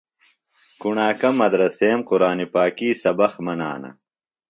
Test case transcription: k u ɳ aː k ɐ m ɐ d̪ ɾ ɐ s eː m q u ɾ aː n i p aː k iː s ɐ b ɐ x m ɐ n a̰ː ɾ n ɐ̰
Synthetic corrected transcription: k u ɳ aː k ɐ m ɐ d̪ ɾ ɐ s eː m q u ɾ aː n i p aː k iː s ɐ b ɐ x m ɐ n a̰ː n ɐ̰